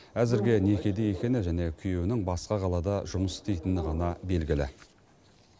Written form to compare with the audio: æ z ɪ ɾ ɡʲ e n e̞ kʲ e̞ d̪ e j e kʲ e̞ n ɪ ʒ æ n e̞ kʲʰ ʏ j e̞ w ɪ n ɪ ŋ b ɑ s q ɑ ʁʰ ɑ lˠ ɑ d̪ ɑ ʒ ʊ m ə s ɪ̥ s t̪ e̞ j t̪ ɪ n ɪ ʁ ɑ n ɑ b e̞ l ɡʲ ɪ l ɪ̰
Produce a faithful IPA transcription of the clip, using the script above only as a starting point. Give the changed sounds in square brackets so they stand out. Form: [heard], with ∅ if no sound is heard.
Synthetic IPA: æ z ɪ ɾ ɡʲ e n e̞ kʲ e̞ d̪ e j e kʲ e̞ n ɪ ʒ æ n e̞ kʲʰ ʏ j e̞ w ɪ n ɪ ŋ b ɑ s q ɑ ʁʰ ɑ lˠ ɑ d̪ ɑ ʒ ʊ m ə s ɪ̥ s t̪ e̞ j t̪ ɪ n ɪ ʁ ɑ n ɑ b e̞ l ɡʲ ɪ l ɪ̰